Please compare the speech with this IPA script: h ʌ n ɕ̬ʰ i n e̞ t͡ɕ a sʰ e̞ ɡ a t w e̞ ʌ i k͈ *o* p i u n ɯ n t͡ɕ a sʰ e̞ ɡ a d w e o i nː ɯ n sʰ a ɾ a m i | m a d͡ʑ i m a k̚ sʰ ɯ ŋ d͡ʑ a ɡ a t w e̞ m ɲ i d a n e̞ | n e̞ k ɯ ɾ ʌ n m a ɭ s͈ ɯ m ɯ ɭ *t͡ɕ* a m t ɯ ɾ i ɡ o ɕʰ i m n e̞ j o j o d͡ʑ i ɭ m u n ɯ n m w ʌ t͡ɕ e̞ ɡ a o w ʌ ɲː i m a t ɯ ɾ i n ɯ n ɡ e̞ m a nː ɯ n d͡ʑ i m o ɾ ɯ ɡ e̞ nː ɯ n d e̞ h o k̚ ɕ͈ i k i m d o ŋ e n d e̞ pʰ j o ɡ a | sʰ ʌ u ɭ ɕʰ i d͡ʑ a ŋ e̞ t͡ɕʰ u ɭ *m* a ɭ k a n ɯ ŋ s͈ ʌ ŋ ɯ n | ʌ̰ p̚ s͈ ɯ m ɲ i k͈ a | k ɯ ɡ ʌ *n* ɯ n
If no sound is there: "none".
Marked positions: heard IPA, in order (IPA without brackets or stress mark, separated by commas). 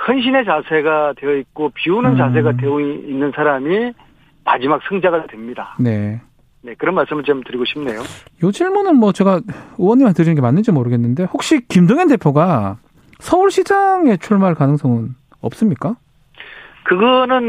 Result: o, t͡ɕ, m, n